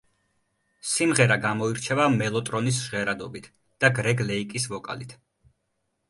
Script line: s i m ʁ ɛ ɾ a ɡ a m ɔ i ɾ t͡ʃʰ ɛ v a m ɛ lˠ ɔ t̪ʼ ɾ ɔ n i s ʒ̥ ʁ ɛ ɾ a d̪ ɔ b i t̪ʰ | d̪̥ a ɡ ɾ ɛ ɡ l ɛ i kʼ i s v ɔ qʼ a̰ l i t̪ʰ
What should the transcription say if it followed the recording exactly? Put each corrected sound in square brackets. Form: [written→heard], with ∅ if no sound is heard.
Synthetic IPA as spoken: s i m ʁ ɛ ɾ a ɡ a m ɔ i ɾ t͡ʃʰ ɛ v a m ɛ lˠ ɔ t̪ʼ ɾ ɔ n i s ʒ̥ ʁ ɛ ɾ a d̪ ɔ b i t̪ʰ | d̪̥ a ɡ ɾ ɛ ɡ l ɛ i kʼ i s v ɔ [qʼ→kʼ] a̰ l i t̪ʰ